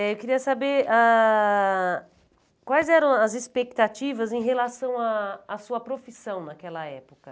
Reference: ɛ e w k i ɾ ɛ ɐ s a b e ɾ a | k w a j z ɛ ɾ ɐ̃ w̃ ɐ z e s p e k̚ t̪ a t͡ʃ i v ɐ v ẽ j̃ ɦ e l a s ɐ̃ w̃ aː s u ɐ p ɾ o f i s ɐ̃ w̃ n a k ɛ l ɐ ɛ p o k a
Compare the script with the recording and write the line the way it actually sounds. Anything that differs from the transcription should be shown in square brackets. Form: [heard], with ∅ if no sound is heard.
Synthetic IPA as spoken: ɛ e w k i ɾ [i] ɐ s a b e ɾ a | k w a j z ɛ ɾ ɐ̃ w̃ ɐ z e s p e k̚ t̪ a t͡ʃ i v ɐ [z] ẽ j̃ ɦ e l a s ɐ̃ w̃ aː s u ɐ p ɾ o f i s ɐ̃ w̃ n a k ɛ l ɐ ɛ p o k [ɐ]